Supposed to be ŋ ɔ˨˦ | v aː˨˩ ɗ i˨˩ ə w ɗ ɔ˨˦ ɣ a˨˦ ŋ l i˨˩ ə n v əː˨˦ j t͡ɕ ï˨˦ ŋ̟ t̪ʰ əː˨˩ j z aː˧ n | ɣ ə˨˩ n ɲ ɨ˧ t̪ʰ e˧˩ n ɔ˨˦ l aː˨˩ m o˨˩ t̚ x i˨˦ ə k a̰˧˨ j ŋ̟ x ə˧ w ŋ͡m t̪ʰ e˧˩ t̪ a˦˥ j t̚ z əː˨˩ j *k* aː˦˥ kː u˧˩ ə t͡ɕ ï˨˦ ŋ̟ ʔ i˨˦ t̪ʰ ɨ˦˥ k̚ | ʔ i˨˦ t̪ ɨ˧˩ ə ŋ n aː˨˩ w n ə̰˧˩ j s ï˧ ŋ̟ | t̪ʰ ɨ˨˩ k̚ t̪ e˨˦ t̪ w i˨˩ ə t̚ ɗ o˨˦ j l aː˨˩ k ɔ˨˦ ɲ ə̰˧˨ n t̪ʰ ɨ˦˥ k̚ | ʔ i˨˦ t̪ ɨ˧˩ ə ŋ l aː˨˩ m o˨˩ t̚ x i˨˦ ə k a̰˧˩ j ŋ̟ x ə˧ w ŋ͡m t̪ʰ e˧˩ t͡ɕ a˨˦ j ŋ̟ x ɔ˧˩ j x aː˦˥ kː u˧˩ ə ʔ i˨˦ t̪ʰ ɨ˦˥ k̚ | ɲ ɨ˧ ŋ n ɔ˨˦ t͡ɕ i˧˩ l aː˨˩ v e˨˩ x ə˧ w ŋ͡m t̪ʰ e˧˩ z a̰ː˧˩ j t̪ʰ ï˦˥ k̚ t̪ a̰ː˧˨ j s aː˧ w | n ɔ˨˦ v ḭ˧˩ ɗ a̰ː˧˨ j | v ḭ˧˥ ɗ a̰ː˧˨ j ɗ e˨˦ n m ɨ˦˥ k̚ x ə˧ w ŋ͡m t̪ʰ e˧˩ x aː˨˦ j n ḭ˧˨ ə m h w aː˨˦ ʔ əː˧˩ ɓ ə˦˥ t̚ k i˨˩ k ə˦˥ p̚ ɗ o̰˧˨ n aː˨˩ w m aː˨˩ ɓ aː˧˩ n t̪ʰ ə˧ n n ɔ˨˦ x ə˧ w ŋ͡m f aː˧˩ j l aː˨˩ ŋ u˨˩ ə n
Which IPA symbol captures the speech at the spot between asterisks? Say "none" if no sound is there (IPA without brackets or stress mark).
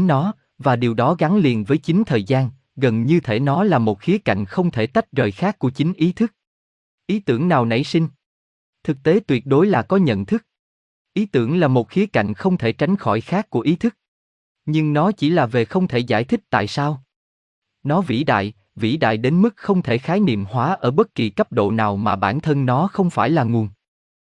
x